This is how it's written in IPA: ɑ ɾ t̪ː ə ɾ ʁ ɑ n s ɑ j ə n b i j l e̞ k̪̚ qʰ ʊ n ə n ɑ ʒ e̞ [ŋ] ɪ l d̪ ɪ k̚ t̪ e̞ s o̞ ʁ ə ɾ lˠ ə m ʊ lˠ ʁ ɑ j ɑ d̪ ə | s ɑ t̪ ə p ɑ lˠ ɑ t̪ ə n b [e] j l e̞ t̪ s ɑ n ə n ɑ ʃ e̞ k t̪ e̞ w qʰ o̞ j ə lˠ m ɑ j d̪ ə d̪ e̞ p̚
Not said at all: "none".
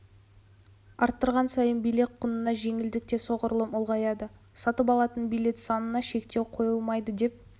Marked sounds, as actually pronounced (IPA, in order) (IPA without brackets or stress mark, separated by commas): ŋ, i